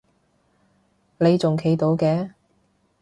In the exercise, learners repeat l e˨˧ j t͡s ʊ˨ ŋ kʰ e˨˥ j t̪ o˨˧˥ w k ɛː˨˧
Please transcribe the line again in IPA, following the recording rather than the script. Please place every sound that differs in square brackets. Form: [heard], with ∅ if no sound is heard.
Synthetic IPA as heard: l e˨˧ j t͡s ʊ˨ ŋ kʰ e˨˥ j t̪ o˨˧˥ w k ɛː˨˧